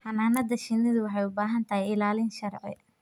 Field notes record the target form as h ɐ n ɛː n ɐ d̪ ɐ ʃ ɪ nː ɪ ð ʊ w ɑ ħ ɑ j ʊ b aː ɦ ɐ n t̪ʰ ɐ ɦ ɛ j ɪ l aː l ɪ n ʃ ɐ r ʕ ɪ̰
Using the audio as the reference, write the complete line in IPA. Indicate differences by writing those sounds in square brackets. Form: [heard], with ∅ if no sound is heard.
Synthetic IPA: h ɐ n [aː] n ɐ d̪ ɐ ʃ ɪ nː ɪ ð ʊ w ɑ ħ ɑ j ʊ b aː ɦ ɐ n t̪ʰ ɐ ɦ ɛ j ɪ l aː l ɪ n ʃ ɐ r ʕ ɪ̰

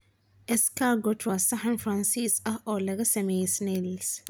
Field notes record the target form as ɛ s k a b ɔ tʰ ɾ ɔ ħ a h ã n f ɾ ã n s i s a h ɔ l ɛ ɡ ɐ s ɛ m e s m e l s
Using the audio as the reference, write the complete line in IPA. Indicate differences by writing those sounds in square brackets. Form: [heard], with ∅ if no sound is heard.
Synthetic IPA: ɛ s k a [ɡ] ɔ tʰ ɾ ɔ [s] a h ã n f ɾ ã n s i s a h ɔ l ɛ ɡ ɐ s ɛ m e s [n] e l s

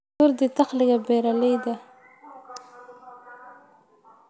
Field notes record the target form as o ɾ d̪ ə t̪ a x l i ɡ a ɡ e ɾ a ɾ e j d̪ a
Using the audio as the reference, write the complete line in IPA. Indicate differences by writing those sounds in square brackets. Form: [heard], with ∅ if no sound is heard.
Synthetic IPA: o ɾ d̪ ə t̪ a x l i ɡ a [b] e ɾ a [l] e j d̪ a

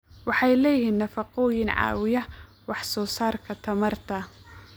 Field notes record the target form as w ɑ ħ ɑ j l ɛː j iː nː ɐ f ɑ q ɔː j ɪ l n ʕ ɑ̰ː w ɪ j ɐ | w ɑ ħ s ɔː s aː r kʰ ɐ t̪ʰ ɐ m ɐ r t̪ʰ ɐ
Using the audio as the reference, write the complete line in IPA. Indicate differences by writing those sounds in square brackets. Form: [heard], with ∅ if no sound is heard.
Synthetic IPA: w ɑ ħ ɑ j l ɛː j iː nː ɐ f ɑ q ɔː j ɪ [∅] n ʕ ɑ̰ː w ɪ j ɐ | w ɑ ħ s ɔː s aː r kʰ ɐ t̪ʰ ɐ m ɐ r t̪ʰ ɐ

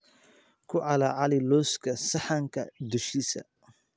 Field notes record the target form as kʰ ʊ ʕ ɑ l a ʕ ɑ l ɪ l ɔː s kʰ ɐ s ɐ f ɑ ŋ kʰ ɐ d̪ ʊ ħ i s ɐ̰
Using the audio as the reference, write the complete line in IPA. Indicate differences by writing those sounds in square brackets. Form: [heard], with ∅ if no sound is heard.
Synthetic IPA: kʰ ʊ ʕ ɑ l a ʕ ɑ l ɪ l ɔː s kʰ ɐ s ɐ [ħ] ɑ ŋ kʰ ɐ d̪ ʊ [ʃ] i s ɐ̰

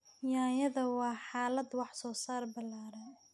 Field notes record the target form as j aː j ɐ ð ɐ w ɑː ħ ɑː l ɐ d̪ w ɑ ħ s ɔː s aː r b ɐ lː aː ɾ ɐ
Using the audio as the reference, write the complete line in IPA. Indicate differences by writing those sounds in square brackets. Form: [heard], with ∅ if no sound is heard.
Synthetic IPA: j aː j ɐ ð ɐ w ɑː ħ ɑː l ɐ d̪ w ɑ ħ s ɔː s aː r b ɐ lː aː ɾ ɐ

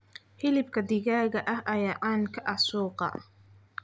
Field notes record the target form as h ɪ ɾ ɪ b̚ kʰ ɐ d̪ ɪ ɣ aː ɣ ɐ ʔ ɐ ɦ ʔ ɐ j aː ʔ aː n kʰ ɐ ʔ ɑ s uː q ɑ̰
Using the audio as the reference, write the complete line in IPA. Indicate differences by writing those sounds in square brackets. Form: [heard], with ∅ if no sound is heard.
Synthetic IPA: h ɪ [l] ɪ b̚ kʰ ɐ d̪ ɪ ɣ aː ɣ ɐ ʔ ɐ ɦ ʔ ɐ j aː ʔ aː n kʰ ɐ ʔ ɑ s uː q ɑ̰

